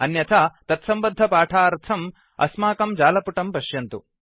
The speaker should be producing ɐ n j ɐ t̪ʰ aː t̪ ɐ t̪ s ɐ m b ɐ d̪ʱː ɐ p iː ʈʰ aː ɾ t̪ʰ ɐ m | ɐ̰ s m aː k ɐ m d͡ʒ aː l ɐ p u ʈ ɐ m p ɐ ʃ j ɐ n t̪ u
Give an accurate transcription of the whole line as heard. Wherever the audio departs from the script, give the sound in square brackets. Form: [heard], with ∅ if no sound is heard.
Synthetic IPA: ɐ n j ɐ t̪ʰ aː t̪ ɐ t̪ s ɐ m b ɐ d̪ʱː ɐ p [aː] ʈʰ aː ɾ t̪ʰ ɐ m | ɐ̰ s m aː k ɐ m d͡ʒ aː l ɐ p u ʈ ɐ m p ɐ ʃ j ɐ n t̪ u